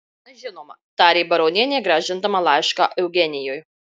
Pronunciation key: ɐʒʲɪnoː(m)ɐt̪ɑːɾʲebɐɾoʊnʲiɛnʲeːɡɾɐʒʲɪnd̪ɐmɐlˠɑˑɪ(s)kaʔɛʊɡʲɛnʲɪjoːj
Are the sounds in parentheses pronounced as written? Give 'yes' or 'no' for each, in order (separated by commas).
yes, no